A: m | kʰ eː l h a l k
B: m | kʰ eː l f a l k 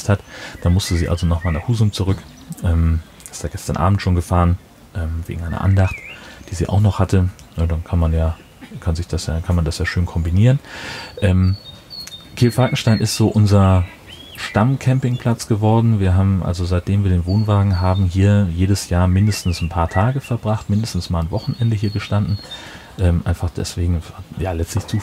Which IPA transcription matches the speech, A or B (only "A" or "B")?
B